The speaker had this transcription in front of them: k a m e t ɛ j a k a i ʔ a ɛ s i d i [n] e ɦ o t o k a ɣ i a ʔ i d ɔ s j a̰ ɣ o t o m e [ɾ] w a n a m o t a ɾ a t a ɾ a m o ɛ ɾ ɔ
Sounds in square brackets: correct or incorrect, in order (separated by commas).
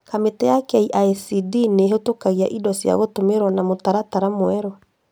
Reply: correct, correct